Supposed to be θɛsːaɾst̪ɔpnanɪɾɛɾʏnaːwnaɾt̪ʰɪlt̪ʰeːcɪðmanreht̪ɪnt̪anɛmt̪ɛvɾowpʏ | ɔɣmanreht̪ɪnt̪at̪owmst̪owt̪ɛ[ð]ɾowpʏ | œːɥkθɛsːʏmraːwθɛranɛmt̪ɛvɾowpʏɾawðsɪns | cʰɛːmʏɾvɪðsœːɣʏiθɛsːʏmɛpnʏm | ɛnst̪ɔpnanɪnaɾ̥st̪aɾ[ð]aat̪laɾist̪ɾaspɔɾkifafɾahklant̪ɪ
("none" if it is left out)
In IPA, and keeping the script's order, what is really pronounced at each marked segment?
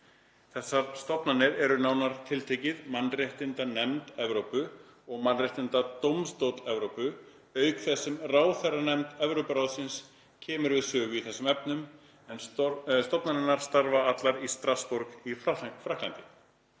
v, v

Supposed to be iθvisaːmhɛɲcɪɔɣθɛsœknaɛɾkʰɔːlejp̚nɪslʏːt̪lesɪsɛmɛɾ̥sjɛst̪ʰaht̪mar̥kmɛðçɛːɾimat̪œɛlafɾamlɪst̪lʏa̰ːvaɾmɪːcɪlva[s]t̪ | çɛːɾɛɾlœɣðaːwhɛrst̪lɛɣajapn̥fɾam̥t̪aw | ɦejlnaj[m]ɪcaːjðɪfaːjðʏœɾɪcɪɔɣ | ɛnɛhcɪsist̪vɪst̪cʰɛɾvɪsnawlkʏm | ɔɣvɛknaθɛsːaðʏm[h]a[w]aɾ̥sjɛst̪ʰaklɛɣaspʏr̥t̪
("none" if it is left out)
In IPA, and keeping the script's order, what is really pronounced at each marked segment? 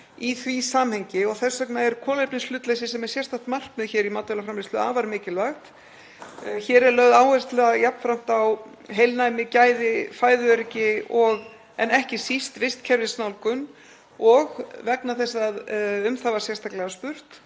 x, m, θ, v

